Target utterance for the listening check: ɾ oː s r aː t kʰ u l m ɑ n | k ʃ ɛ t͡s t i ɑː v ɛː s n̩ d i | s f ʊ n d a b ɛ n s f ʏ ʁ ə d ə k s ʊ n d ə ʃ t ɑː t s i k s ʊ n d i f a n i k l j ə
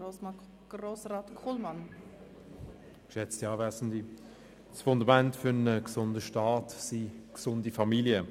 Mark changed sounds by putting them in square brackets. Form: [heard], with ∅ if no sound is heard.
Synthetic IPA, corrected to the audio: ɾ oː s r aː t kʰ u l m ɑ n | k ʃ ɛ t͡s t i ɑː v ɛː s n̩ d i | s f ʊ n d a [m] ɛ n [t] f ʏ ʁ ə [n] ə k s ʊ n d ə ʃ t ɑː t s i k s ʊ n d i f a [m] i [∅] l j ə